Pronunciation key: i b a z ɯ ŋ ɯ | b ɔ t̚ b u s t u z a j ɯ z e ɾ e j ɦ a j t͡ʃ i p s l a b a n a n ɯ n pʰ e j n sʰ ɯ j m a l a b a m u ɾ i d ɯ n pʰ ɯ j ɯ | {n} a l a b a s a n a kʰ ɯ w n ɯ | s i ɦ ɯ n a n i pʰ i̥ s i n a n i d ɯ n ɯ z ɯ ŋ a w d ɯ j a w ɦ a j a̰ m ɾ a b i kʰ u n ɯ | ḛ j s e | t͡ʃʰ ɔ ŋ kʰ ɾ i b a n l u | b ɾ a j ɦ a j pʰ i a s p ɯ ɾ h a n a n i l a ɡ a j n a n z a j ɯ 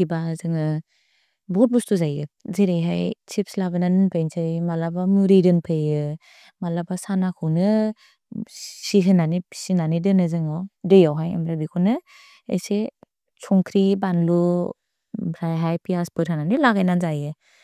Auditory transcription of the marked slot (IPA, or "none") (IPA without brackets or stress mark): m